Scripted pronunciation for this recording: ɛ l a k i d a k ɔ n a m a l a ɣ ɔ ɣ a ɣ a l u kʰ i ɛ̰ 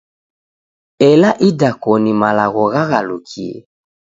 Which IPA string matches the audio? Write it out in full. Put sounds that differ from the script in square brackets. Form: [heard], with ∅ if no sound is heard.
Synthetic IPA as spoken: ɛ l a [ʔ] i d a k ɔ n [i] m a l a ɣ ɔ ɣ a ɣ a l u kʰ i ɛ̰